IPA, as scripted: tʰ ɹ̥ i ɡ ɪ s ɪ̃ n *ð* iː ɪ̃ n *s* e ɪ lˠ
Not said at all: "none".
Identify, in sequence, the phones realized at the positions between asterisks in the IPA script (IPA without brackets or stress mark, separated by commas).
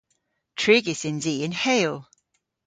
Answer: z, h